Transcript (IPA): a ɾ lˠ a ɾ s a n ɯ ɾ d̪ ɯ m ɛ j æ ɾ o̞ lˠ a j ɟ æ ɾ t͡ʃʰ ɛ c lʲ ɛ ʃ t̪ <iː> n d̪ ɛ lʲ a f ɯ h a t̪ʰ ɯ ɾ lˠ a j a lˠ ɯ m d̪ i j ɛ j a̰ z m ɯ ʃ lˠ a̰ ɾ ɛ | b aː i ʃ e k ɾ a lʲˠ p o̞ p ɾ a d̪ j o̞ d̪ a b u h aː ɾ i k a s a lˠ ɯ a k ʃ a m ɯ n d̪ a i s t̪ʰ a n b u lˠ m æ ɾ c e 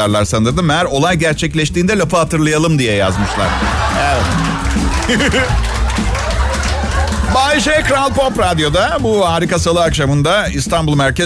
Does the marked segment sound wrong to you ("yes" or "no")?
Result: no